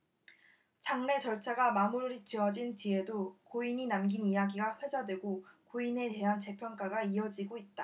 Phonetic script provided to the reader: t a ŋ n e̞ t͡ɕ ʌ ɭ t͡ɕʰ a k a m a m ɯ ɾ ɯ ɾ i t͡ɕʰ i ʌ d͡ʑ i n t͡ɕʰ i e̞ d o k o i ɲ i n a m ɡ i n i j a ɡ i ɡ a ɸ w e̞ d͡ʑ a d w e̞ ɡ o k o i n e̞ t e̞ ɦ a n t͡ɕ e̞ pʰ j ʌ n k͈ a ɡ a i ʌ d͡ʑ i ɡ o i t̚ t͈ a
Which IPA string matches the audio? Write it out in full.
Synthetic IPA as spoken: t͡ɕ a ŋ n e̞ t͡ɕ ʌ ɭ t͡ɕʰ a ɡ a m a m u ɾ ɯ ɾ i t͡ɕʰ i ʌ d͡ʑ i n t͡ɕ i e̞ d o k o i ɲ i n a m ɡ i n i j a ɡ i ɡ a ɸ w e̞ d͡ʑ a d w e̞ ɡ o k o i n e̞ t e̞ ɦ a n t͡ɕ e̞ pʰ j ʌ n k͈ a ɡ a i ʌ d͡ʑ i ɡ o i t̚ t͈ a

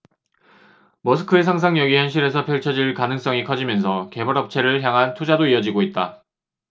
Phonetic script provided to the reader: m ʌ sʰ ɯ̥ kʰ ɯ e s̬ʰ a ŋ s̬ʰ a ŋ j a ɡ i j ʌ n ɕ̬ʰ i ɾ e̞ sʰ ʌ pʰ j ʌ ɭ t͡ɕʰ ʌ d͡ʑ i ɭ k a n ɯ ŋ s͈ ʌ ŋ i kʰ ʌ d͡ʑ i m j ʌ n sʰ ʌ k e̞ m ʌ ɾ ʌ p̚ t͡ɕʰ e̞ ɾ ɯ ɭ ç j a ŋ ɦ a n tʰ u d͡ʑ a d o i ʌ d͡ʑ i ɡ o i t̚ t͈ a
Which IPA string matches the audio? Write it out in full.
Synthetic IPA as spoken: m ʌ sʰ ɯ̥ kʰ ɯ e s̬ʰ a ŋ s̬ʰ a ŋ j ʌ ɡ i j ʌ n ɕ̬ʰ i ɾ e̞ sʰ ʌ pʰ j ʌ ɭ t͡ɕʰ ʌ d͡ʑ i ɭ k a n ɯ ŋ s͈ ʌ ŋ i kʰ ʌ d͡ʑ i m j ʌ n sʰ ʌ k e̞ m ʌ ɾ ʌ p̚ t͡ɕʰ e̞ ɾ ɯ ɭ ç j a ŋ ɦ a n tʰ u d͡ʑ a d o i ʌ d͡ʑ i ɡ o i t̚ t͈ a

